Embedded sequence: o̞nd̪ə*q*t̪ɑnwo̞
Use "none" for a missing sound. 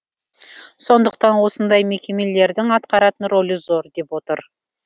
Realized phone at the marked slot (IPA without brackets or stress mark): q